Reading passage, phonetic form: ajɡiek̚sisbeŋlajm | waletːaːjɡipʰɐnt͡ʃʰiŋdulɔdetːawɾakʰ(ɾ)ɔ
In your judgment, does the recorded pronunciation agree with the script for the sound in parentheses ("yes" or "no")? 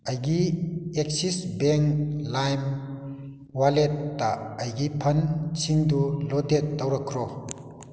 yes